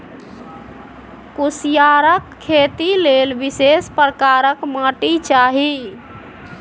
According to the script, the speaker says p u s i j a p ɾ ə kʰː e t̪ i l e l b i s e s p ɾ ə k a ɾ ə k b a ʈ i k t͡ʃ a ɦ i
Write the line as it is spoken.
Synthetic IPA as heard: k u s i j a ɾ ə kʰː e t̪ i l e l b i s e s p ɾ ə k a ɾ ə k m a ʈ i t͡ʃ a ɦ i